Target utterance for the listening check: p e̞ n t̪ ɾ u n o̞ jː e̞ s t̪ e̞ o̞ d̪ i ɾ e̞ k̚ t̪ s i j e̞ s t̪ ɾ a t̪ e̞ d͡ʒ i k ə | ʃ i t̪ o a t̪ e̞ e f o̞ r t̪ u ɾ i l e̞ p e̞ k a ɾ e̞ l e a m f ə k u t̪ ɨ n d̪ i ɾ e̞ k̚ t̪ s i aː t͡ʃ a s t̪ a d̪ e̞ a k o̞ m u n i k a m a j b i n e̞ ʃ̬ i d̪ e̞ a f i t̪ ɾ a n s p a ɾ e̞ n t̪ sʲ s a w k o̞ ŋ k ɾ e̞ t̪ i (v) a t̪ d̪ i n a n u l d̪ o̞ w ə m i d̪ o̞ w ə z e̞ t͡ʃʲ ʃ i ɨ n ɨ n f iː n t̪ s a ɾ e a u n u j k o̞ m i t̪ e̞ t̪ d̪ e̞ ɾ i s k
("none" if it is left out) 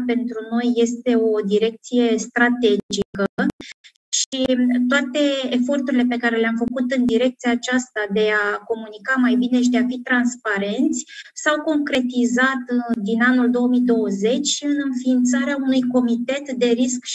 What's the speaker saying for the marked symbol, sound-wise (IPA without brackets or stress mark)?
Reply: z